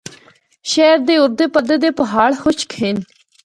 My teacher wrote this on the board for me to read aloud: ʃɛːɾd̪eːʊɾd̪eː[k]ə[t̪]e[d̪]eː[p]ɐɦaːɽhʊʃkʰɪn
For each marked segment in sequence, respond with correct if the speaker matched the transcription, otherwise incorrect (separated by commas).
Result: incorrect, incorrect, correct, correct